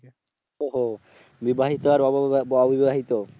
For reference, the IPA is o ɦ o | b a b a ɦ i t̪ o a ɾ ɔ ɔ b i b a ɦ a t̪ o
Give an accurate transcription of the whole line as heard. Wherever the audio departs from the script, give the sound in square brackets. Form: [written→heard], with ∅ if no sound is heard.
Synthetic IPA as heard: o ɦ o | b [a→i] b a ɦ i t̪ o a ɾ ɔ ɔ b i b a ɦ [a→i] t̪ o